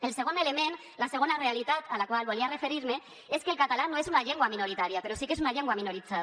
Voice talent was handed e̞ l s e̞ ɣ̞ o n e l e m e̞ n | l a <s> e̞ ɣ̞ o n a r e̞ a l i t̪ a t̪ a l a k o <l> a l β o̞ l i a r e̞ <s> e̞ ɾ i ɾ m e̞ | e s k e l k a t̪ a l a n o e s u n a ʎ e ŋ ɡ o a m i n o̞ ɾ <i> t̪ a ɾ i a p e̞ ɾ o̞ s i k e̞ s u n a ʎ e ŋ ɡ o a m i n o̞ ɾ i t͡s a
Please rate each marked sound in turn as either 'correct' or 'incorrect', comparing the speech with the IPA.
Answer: correct, incorrect, incorrect, correct

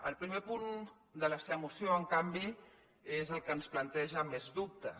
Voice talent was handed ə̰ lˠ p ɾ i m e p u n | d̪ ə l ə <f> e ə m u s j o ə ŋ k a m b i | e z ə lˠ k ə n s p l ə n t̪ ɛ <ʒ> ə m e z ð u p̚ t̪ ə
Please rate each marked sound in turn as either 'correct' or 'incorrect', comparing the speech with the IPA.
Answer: incorrect, correct

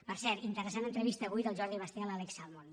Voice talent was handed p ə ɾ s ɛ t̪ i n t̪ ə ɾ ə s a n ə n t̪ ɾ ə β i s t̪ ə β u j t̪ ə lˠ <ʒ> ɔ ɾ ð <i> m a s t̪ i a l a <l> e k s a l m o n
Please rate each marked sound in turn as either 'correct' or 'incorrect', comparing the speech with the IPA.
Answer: correct, correct, correct

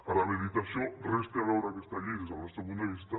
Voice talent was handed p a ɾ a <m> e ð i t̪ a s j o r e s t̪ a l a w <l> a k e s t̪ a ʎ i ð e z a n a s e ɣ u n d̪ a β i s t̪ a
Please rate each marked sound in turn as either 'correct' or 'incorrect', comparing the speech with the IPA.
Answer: correct, incorrect

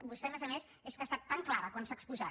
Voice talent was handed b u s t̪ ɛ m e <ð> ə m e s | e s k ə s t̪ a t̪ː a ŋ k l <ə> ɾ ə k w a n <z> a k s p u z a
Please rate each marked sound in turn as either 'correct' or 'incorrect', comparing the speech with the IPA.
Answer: incorrect, incorrect, incorrect

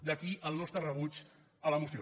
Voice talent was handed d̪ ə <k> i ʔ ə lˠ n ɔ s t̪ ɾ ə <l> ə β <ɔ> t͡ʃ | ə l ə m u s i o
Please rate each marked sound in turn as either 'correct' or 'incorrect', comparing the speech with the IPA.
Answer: correct, incorrect, incorrect

